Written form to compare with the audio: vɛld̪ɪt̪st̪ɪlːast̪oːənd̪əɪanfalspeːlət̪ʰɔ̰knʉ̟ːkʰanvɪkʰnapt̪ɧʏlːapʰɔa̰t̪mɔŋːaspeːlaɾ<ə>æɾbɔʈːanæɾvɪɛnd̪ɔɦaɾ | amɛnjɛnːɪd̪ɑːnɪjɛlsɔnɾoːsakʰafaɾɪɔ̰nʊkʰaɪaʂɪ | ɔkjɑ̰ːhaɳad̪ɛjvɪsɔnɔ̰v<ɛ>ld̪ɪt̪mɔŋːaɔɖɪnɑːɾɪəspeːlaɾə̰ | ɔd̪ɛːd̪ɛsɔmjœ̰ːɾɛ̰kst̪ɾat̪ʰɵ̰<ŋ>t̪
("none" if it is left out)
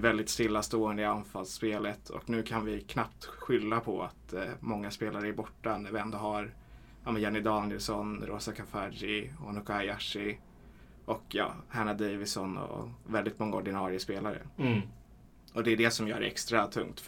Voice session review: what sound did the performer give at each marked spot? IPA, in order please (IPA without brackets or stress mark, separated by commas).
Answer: ə, ɛ, ŋ